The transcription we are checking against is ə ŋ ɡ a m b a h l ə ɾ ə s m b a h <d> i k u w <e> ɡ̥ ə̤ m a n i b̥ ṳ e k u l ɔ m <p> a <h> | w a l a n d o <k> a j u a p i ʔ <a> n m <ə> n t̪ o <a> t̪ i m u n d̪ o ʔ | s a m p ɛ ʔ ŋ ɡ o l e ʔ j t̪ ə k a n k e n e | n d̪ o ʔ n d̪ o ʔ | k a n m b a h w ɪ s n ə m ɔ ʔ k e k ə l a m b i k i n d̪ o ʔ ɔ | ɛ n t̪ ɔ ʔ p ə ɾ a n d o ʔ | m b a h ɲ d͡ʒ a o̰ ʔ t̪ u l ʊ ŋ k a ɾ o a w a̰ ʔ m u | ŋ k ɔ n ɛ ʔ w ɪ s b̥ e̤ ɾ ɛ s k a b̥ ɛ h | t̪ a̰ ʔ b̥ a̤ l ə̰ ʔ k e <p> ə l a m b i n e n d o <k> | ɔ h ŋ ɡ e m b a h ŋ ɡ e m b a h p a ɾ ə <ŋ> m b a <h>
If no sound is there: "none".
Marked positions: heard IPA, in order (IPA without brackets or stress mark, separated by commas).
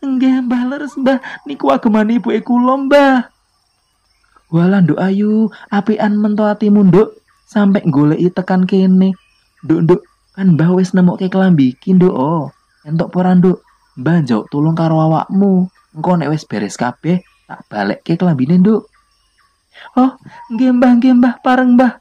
n, a, b, h, ʔ, a, ə, a, k, ʔ, ŋ, h